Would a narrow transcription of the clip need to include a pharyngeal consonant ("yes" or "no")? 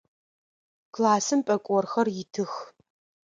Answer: no